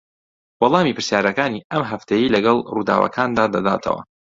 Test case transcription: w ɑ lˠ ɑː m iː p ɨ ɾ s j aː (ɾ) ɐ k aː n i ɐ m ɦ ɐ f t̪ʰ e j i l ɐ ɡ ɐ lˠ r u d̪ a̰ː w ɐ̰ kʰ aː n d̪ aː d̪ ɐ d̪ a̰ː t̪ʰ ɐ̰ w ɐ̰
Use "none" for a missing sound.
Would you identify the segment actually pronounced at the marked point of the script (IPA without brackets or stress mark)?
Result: ɾ